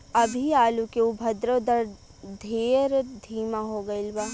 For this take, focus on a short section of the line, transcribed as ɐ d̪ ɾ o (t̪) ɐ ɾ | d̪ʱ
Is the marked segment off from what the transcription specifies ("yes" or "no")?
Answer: yes